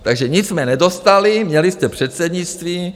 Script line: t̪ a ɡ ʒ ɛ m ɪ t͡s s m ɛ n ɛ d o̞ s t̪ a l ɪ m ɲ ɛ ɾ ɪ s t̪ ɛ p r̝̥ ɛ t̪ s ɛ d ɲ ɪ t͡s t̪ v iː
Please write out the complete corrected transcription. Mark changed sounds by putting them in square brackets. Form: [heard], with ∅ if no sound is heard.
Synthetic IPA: t̪ a ɡ ʒ ɛ [ɲ] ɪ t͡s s m ɛ n ɛ d o̞ s t̪ a l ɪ m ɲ ɛ [l] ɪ s t̪ ɛ p r̝̥ ɛ t̪ s ɛ d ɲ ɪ t͡s t̪ v iː

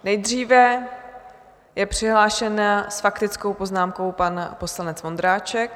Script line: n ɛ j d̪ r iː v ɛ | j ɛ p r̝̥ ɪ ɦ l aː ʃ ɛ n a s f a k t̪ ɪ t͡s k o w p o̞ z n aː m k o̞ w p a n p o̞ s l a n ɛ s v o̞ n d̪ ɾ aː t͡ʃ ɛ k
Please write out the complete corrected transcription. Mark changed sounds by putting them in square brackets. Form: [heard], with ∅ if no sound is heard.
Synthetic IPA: n ɛ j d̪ r iː v ɛ | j ɛ p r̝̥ ɪ ɦ l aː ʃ ɛ n a s f a k t̪ ɪ t͡s k o w p o̞ z n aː m k o̞ w p a n p o̞ s l a n ɛ [t͡s] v o̞ n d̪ ɾ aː t͡ʃ ɛ k

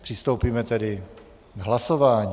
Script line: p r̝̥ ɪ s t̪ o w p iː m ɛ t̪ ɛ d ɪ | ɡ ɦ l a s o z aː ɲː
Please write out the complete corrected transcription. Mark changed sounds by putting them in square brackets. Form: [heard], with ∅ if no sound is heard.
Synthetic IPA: p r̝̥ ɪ s t̪ o w p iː m ɛ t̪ ɛ d ɪ | ɡ ɦ l a s o [v] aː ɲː

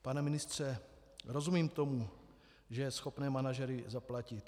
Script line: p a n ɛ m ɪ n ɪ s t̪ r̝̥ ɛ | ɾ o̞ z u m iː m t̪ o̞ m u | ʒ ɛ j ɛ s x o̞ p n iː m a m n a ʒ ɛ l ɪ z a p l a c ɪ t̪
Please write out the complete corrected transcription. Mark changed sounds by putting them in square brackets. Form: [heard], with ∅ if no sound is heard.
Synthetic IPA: p a n ɛ m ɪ n ɪ s t̪ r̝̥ ɛ | ɾ o̞ z u m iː m t̪ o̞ m u | ʒ ɛ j ɛ s x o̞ p n [ɛː] m a [∅] n a ʒ ɛ [ɾ] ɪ z a p l a c ɪ t̪

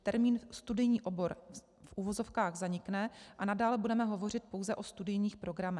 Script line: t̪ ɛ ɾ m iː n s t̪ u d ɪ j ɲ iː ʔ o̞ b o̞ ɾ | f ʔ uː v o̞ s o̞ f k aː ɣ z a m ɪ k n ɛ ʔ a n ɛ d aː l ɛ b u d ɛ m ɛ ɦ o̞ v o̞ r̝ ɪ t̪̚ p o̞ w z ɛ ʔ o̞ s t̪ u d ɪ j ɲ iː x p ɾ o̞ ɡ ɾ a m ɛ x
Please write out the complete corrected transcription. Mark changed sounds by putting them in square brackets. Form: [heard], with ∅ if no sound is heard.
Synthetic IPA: t̪ ɛ ɾ m iː n s t̪ u d ɪ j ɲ iː ʔ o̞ b o̞ ɾ | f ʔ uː v o̞ [z] o̞ f k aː ɣ z a [ɲ] ɪ k n ɛ ʔ a n [a] d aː l ɛ b u d ɛ m ɛ ɦ o̞ v o̞ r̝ ɪ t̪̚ p o̞ w z ɛ ʔ o̞ s t̪ u d ɪ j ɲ iː x p ɾ o̞ ɡ ɾ a m ɛ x

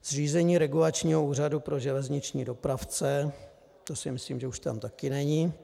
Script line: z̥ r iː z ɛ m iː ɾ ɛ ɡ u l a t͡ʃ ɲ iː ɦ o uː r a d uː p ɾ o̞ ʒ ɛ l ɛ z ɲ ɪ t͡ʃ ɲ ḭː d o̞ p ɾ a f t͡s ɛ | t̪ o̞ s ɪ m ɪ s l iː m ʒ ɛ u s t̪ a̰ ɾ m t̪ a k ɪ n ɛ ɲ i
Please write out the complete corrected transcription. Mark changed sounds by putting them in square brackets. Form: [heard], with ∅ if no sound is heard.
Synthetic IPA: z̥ r iː z ɛ [ɲ] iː ɾ ɛ ɡ u l a t͡ʃ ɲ iː ɦ o uː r a d [u] p ɾ o̞ ʒ ɛ l ɛ z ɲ ɪ t͡ʃ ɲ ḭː d o̞ p ɾ a f t͡s ɛ | t̪ o̞ s ɪ m ɪ s l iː m ʒ ɛ u [ʃ] t̪ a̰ [∅] m t̪ a k ɪ n ɛ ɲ i

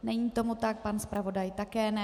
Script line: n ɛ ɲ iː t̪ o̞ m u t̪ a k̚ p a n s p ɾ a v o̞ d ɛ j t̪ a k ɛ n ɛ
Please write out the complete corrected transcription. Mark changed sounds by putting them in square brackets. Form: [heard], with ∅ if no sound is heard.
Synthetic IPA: n ɛ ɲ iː t̪ o̞ m u t̪ a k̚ p a n s p ɾ a v o̞ d [a] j t̪ a k [ɛː] n ɛ

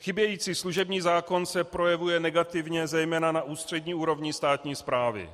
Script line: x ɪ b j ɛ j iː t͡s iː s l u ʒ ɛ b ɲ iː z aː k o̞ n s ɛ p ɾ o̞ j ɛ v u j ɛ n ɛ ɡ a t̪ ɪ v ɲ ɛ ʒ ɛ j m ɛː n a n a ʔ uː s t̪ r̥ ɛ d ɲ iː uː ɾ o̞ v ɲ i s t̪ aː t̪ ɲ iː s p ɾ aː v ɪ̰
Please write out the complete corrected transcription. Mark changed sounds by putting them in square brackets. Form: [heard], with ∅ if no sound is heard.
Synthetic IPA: x ɪ b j ɛ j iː t͡s iː s l u ʒ ɛ b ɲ iː z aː k o̞ n s ɛ p ɾ o̞ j ɛ v u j ɛ n ɛ ɡ a t̪ ɪ v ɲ ɛ [z] ɛ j m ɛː n a n a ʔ uː s t̪ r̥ ɛ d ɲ iː uː ɾ o̞ v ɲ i s t̪ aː t̪ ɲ iː s p ɾ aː v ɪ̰

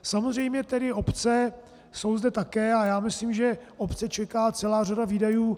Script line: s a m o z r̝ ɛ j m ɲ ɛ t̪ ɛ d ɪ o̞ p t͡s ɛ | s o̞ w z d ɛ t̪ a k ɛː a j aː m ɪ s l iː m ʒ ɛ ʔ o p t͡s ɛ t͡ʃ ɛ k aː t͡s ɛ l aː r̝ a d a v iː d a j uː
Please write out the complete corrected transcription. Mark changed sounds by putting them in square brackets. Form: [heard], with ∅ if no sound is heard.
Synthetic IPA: s a m o z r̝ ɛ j m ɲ ɛ t̪ ɛ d ɪ o̞ p t͡s ɛ | s o̞ w z d ɛ t̪ a k ɛː a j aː m ɪ s l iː m ʒ ɛ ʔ o p t͡s ɛ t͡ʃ ɛ k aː t͡s ɛ l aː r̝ a d a v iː d a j uː

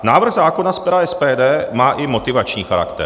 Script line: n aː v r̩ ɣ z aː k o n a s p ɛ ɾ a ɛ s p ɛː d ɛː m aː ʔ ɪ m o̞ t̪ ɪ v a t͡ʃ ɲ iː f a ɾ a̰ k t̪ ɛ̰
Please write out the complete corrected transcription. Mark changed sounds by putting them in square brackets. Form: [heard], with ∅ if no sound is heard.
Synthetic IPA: n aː v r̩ ɣ z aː k o n a s p ɛ ɾ a ɛ s p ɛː d ɛː m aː ʔ ɪ m o̞ t̪ ɪ v a t͡ʃ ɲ iː [x] a ɾ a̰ k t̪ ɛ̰

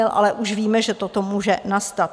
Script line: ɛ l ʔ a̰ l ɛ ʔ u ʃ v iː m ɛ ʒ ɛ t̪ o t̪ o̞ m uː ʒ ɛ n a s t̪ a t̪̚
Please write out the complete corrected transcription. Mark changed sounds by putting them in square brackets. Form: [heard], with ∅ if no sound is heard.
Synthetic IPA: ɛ l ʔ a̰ l ɛ ʔ u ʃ v iː m ɛ ʒ ɛ t̪ o t̪ o̞ m uː ʒ ɛ n a s t̪ a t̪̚

